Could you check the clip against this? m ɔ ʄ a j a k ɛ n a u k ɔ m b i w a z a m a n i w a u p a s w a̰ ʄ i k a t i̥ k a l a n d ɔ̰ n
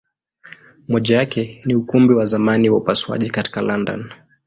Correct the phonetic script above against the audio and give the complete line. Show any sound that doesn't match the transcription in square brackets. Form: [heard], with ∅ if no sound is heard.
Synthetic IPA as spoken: m ɔ ʄ a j a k ɛ n [i] u k [u] m b i w a z a m a n i w a u p a s w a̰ ʄ i k a t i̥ k a l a n d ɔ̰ n